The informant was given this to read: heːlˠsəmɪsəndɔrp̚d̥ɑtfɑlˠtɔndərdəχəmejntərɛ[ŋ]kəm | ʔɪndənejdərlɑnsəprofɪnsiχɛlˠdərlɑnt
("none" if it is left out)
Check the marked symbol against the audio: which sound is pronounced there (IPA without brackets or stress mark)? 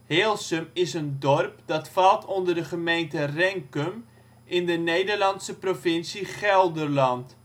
ŋ